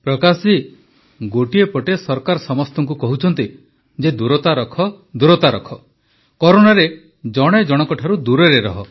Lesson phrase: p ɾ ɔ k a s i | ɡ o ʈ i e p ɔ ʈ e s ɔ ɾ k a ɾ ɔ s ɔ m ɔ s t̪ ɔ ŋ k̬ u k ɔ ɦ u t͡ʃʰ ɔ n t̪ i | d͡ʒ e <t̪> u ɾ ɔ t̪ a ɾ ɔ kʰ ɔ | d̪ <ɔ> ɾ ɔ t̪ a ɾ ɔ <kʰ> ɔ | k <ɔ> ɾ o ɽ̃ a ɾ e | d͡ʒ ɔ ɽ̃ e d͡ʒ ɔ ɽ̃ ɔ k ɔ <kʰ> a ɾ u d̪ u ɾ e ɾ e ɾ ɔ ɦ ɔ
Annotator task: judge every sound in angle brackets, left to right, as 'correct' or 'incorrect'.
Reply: incorrect: d̪, incorrect: u, correct, correct, incorrect: ʈʰ

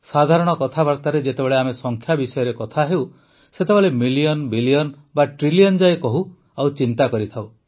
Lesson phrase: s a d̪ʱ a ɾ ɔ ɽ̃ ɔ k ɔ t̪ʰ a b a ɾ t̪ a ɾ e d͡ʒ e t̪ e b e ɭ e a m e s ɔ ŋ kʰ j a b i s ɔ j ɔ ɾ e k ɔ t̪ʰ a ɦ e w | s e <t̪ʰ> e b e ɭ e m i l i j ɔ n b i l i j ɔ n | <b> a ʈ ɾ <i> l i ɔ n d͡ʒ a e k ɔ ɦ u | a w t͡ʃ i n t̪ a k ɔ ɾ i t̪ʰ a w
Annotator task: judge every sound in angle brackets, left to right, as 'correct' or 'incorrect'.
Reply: incorrect: t̪, correct, correct

